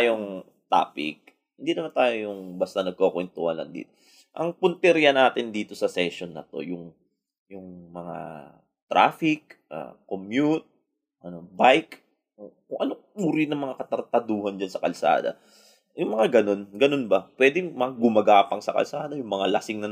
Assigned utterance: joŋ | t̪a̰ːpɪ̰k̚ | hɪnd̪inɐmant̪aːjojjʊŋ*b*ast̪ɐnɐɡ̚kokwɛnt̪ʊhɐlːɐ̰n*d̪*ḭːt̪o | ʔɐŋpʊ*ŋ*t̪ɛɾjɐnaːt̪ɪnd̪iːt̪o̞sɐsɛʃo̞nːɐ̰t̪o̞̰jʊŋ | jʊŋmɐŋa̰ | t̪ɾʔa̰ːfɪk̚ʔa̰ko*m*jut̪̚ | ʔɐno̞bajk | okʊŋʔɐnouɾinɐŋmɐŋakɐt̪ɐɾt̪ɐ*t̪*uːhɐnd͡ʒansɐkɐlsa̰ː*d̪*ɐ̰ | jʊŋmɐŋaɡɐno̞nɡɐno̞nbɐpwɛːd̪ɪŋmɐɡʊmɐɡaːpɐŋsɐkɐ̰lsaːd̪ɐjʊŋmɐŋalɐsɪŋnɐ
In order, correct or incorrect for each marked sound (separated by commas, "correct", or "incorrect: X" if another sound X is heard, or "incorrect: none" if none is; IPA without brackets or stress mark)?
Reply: correct, correct, incorrect: n, correct, incorrect: d̪, correct